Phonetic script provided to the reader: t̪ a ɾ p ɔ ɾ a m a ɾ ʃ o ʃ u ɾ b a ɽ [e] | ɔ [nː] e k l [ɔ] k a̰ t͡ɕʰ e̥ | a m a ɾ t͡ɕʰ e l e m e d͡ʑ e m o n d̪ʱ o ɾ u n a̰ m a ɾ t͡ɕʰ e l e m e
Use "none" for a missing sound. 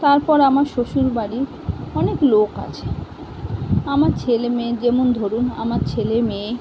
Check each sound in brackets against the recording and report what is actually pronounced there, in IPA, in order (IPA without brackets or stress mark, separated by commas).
i, n, o